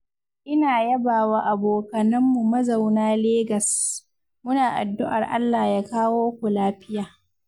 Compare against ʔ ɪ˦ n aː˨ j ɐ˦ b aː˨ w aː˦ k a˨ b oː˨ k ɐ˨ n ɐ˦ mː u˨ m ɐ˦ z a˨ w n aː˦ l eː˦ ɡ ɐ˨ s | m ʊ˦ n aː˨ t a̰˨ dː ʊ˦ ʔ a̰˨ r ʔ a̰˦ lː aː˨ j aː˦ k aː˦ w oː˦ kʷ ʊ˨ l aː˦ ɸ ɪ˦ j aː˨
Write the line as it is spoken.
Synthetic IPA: ʔ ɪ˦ n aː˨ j ɐ˦ b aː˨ w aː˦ ʔ a˨ b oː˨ k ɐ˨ n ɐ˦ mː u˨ m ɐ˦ z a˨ w n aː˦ l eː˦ ɡ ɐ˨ s | m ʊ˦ n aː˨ ʔ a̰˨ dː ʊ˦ ʔ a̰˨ r ʔ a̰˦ lː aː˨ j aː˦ k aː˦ w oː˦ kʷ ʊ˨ l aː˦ ɸ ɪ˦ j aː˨

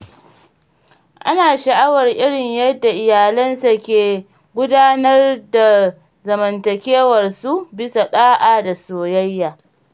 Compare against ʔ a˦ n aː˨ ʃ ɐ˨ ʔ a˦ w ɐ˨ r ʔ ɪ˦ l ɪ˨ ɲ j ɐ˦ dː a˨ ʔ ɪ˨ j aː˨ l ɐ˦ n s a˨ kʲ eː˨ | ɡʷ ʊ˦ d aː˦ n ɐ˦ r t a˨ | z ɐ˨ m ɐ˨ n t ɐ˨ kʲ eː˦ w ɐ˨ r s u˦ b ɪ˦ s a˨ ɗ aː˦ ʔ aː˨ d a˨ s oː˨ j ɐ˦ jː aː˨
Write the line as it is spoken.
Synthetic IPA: ʔ a˦ n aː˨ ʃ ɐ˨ ʔ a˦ w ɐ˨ r ʔ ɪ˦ ɽ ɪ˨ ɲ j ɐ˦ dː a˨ ʔ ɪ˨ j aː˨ l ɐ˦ n s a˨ kʲ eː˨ | ɡʷ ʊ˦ d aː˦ n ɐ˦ r d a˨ | z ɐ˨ m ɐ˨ n t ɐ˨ kʲ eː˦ w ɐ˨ r s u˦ b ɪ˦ s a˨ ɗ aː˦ ʔ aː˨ d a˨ s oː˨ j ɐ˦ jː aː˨

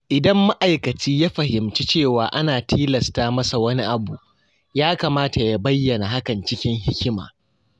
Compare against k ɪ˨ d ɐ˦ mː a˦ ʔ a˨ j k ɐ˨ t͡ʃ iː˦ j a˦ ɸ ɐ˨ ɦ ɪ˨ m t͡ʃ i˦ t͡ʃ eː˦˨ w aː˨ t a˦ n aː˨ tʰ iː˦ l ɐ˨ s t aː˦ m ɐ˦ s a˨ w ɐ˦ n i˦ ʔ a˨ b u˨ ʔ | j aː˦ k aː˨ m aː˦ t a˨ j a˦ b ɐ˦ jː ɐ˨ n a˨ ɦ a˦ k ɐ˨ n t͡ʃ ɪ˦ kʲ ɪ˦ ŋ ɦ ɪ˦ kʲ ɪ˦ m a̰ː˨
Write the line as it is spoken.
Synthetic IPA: ʔ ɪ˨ d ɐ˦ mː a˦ ʔ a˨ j k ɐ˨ t͡ʃ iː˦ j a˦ ɸ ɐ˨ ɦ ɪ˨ m t͡ʃ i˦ t͡ʃ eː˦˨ w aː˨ ʔ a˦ n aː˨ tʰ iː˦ l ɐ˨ s t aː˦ m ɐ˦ s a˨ w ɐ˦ n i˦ ʔ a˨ b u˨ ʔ | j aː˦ k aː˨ m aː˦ t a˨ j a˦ b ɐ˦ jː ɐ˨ n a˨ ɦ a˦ k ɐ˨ n t͡ʃ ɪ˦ kʲ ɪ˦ ŋ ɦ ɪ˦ kʲ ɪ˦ m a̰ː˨

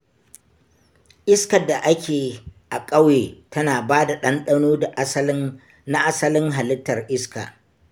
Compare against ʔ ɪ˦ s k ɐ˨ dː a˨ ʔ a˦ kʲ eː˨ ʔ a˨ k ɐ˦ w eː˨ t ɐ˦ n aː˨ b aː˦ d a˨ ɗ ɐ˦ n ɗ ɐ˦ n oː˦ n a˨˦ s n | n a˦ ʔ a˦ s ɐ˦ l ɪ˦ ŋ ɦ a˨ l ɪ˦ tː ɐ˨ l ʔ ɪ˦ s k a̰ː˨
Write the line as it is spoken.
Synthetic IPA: ʔ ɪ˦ s k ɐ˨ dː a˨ ʔ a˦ kʲ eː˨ ʔ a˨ kʼ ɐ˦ w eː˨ t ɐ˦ n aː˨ b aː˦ d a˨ ɗ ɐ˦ n ɗ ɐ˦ n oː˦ d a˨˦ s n | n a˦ ʔ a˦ s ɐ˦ l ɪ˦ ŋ ɦ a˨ l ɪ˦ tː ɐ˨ r ʔ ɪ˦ s k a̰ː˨

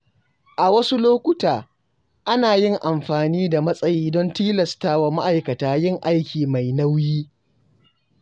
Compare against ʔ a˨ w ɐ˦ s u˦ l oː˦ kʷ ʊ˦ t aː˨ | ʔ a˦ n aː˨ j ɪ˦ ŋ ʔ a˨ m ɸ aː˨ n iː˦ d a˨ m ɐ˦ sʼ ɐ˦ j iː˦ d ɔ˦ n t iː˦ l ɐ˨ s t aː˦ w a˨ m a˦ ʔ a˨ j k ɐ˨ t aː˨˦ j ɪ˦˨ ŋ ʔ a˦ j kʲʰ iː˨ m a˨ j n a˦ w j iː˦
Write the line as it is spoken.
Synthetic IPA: ʔ a˨ w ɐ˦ s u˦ l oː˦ kʷ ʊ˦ t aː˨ | ʔ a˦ n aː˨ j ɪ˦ ŋ ʔ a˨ m ɸ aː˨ n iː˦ d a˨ m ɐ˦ sʼ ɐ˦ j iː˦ d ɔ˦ n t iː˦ l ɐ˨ s t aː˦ w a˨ m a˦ ʔ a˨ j k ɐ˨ t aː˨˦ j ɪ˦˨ ŋ ʔ a˦ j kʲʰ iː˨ m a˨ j n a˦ w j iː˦

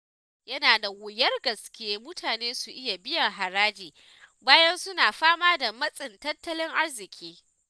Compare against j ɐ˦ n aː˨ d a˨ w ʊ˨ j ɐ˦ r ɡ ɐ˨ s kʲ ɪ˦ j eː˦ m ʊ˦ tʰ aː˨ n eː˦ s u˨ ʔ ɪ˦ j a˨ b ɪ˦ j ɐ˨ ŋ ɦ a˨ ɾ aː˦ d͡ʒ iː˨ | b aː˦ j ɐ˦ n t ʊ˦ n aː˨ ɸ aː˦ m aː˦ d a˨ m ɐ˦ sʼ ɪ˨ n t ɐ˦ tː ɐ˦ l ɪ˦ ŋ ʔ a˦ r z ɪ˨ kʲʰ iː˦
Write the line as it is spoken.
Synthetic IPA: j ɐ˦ n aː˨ d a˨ w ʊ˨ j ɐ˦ r ɡ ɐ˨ s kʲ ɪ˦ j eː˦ m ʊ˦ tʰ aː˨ n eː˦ s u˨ ʔ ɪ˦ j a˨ b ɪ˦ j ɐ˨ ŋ ɦ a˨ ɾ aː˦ d͡ʒ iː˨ | b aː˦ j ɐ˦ n s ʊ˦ n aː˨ ɸ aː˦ m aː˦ d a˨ m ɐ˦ sʼ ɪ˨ n t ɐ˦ tː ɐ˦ l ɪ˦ ŋ ʔ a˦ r z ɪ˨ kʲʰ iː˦

